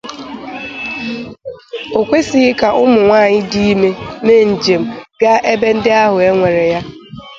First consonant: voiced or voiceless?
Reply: voiceless